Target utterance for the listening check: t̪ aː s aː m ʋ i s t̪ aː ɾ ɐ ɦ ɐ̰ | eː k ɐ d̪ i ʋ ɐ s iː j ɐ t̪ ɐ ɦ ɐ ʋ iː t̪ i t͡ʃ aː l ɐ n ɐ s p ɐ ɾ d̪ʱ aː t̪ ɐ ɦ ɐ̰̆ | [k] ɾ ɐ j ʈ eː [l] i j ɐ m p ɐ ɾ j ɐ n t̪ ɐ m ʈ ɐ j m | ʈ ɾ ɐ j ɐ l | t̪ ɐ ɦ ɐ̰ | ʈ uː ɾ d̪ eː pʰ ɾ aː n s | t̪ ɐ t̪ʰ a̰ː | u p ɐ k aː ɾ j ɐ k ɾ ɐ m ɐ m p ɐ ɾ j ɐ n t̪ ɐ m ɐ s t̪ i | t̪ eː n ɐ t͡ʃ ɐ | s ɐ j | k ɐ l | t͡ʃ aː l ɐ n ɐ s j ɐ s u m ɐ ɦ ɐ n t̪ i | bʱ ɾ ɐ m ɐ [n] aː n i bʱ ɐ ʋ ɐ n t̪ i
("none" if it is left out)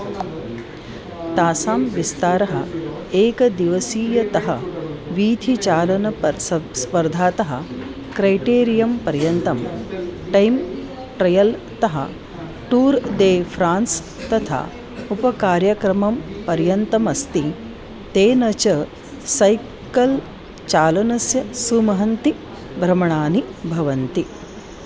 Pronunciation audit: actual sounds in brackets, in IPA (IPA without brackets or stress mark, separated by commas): k, ɾ, ɳ